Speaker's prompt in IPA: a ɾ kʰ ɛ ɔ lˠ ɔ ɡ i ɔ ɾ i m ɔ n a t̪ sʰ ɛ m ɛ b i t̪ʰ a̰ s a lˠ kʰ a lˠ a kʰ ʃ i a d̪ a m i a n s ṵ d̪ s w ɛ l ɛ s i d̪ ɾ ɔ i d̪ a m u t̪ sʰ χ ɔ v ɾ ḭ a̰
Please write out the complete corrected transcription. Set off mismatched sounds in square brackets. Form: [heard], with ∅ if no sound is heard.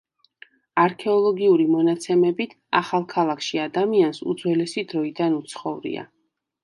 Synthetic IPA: a ɾ kʰ ɛ ɔ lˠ ɔ ɡ i [u] ɾ i m ɔ n a t̪ sʰ ɛ m ɛ b i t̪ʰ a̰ [χ] a lˠ kʰ a lˠ a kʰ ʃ i a d̪ a m i a n s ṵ d̪ [z] w ɛ l ɛ s i d̪ ɾ ɔ i d̪ a [n] u t̪ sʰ χ ɔ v ɾ ḭ a̰